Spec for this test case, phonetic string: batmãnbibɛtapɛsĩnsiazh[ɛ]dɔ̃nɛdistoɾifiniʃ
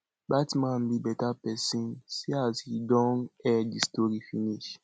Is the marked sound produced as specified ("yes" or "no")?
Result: no